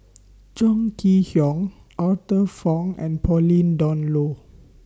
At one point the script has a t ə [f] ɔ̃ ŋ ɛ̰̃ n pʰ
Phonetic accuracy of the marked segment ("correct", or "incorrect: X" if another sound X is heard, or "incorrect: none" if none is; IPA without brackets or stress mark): correct